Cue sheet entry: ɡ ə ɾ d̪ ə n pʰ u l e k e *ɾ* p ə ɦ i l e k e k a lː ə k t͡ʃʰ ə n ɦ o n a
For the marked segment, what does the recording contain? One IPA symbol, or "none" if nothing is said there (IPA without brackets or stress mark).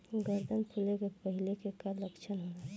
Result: none